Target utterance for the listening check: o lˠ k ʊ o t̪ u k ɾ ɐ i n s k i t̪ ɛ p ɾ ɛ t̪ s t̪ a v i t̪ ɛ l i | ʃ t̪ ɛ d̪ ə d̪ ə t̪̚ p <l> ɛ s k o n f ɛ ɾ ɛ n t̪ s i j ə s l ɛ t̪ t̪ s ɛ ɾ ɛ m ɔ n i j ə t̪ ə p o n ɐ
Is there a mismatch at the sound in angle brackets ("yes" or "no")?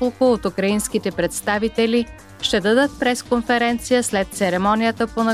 yes